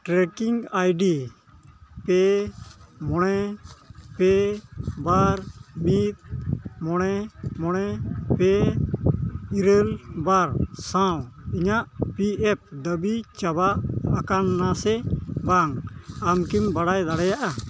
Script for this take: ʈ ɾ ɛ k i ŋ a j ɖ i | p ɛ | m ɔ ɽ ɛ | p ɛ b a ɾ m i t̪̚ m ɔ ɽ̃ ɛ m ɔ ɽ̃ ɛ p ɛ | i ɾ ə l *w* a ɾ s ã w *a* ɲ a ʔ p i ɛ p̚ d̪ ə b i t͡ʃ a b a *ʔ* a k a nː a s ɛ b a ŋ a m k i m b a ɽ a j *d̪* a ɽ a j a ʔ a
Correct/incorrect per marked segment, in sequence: incorrect: b, incorrect: i, correct, correct

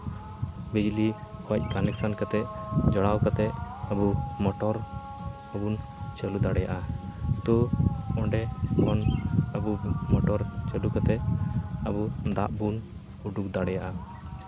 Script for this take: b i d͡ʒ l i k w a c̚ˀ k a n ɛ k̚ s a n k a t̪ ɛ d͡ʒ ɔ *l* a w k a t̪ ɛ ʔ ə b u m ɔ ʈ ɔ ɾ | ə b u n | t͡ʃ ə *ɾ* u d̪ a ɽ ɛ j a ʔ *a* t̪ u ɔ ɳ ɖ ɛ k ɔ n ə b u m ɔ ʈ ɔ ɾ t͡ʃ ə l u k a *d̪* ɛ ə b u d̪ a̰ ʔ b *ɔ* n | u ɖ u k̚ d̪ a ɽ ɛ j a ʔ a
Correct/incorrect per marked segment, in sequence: incorrect: ɽ, incorrect: l, correct, incorrect: t̪, incorrect: u

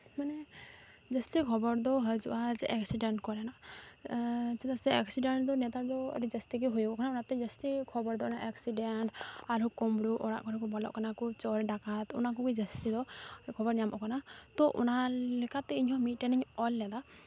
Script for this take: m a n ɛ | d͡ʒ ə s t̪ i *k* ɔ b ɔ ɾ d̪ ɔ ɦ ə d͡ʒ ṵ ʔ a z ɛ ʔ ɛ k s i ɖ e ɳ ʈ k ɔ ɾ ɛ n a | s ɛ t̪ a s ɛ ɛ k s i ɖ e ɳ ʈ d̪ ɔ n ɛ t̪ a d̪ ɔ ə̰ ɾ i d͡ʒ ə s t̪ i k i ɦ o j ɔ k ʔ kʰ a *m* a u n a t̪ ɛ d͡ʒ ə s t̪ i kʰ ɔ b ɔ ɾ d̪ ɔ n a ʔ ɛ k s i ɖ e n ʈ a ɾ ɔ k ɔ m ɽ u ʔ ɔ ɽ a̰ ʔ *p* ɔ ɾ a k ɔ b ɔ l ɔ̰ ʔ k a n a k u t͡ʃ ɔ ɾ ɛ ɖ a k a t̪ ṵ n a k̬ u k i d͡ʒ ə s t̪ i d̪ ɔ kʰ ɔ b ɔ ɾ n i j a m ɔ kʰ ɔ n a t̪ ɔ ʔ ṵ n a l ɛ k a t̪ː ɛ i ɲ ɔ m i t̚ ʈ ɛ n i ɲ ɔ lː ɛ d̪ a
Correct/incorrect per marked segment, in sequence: incorrect: kʰ, incorrect: n, incorrect: k

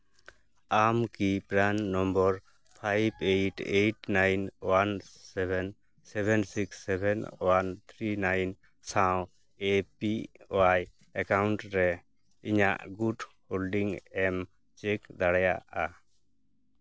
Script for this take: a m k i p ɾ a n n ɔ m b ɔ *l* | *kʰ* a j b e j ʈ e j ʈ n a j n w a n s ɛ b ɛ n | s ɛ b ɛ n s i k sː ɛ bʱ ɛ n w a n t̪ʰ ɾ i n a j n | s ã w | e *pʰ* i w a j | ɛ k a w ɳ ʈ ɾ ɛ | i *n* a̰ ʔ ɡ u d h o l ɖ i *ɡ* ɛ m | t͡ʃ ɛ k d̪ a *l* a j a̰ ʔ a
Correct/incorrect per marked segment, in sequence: incorrect: ɾ, incorrect: pʰ, incorrect: p, incorrect: ɲ, incorrect: ŋ, incorrect: ɽ

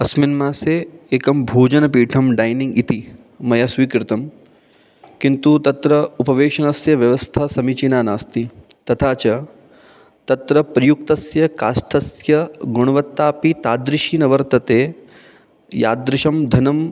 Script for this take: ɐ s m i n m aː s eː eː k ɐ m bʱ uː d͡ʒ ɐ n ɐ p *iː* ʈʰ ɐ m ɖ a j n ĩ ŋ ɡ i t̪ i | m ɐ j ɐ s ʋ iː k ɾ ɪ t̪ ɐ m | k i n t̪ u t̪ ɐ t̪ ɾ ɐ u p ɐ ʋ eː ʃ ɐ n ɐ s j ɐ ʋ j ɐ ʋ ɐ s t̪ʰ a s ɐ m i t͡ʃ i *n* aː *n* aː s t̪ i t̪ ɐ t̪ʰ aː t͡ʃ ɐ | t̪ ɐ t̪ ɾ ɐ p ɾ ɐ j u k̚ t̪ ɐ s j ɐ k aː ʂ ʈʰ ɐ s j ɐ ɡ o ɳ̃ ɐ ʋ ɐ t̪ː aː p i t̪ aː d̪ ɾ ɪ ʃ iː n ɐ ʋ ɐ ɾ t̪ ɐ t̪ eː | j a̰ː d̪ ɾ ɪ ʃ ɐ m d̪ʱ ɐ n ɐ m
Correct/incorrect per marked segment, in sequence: correct, correct, correct

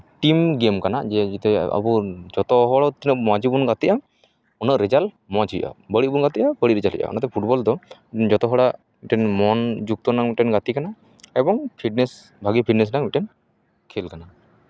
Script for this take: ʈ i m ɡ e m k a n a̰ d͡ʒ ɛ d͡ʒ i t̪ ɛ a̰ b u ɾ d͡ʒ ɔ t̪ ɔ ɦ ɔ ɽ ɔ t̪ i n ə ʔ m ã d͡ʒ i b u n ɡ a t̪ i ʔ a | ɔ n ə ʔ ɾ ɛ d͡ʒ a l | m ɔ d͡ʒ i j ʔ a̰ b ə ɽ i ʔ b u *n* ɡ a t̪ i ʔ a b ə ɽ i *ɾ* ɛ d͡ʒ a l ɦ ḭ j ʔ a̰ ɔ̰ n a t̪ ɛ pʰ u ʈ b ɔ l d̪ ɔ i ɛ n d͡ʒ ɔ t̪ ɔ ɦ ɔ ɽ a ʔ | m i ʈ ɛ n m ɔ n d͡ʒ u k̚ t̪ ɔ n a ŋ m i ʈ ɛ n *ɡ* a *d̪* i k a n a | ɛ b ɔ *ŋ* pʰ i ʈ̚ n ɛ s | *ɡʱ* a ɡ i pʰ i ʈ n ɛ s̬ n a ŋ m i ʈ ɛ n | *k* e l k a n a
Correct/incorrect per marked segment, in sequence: correct, correct, correct, incorrect: t̪, correct, incorrect: bʱ, incorrect: kʰ

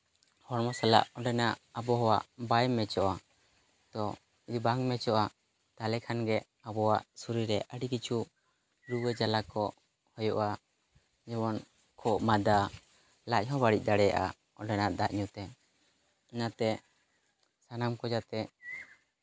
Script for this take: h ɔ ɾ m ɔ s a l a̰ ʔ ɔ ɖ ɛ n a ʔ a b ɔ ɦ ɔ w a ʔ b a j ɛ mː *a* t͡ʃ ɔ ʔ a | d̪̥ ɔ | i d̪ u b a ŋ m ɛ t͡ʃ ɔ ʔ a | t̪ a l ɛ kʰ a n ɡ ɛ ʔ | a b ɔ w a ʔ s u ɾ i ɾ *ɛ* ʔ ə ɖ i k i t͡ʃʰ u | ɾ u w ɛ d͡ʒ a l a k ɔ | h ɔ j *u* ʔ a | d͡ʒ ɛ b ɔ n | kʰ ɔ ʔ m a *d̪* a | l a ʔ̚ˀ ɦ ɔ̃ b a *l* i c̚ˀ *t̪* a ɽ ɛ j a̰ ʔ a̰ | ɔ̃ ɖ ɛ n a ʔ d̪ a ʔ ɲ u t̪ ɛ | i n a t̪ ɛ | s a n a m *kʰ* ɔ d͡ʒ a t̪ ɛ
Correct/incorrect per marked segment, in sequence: incorrect: ɛ, correct, incorrect: ɔ, correct, incorrect: ɽ, incorrect: d̪, incorrect: k

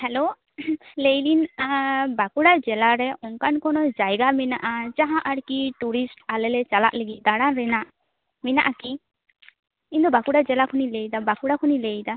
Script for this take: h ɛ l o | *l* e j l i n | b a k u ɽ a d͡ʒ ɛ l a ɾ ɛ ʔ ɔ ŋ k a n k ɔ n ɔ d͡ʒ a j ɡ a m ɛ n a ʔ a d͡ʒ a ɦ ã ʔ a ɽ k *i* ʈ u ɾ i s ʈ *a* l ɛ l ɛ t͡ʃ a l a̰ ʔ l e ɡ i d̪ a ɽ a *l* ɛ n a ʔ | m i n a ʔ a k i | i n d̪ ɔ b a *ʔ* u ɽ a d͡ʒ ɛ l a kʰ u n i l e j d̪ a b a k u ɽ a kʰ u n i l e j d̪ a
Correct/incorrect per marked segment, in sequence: correct, correct, correct, incorrect: ɾ, incorrect: k

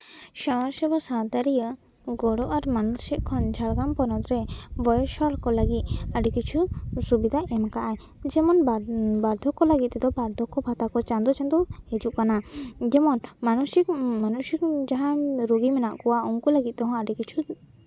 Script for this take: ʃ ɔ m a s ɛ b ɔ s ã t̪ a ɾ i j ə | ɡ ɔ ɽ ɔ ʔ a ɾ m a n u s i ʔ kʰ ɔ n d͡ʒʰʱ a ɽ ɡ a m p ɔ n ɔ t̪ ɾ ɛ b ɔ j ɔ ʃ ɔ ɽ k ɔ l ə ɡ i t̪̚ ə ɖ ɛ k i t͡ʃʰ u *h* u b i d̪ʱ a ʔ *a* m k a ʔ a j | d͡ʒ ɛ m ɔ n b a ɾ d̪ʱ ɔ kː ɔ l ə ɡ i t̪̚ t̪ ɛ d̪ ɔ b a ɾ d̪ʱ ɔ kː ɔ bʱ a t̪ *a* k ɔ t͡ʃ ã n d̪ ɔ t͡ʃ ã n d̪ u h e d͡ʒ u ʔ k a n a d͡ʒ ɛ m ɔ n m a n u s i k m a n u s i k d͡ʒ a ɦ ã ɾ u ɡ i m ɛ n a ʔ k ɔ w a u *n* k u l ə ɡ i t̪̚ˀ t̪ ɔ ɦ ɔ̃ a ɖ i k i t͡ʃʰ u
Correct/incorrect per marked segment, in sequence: incorrect: s, incorrect: ɛ, correct, incorrect: ŋ

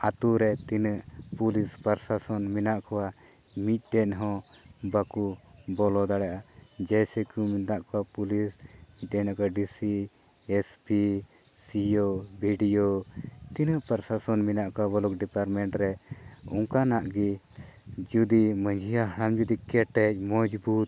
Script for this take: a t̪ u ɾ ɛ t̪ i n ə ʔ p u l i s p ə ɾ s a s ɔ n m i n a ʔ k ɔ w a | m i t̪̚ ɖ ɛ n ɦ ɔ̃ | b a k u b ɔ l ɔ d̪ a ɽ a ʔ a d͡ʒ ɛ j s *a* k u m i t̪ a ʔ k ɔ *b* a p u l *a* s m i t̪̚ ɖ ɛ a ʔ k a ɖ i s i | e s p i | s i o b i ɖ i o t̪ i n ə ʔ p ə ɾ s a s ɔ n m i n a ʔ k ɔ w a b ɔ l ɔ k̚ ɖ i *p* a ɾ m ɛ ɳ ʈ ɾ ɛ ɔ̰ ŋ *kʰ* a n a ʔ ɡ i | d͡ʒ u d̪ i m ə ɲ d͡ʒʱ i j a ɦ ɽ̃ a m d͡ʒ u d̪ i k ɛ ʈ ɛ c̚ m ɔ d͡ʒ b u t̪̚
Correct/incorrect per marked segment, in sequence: incorrect: ɛ, incorrect: w, incorrect: i, correct, incorrect: k

